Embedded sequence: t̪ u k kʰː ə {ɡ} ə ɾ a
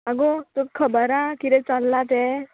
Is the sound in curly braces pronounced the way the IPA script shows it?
no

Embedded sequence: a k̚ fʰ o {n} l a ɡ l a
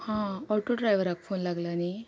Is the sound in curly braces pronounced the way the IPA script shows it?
yes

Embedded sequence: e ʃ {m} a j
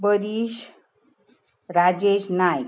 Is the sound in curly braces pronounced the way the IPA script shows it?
no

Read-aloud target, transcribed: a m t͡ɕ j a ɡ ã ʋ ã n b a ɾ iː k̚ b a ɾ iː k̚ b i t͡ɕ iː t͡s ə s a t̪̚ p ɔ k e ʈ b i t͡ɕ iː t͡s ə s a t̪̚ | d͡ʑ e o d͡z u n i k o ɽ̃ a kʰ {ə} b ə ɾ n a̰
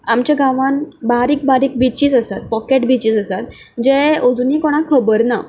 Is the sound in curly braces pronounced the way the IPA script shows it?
yes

